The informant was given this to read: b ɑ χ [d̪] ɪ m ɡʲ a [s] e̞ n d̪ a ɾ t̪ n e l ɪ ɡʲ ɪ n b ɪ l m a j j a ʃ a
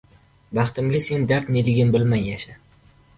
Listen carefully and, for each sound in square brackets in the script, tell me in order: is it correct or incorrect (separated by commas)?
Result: incorrect, correct